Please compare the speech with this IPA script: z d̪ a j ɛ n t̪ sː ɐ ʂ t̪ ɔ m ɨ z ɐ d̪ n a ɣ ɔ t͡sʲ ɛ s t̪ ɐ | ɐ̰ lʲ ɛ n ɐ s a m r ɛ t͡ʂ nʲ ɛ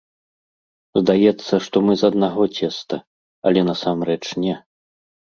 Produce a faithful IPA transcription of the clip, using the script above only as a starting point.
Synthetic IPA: z d̪ a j ɛ t̪ sː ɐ ʂ t̪ ɔ m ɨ z ɐ d̪ n a ɣ ɔ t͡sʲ ɛ s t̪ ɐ | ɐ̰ lʲ ɛ n ɐ s a m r ɛ t͡ʂ nʲ ɛ